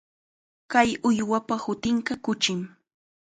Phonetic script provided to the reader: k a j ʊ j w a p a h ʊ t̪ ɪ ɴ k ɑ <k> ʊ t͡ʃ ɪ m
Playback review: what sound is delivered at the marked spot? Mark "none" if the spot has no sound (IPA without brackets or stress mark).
k